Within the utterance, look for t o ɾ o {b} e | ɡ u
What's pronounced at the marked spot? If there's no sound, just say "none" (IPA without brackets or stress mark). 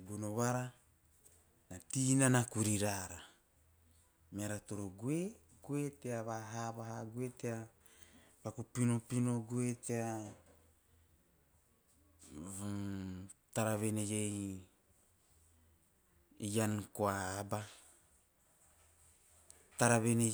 ɡ